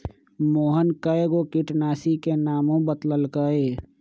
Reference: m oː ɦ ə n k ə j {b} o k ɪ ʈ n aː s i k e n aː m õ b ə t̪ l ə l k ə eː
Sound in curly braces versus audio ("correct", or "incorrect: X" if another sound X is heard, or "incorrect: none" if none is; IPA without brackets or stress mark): incorrect: ɡ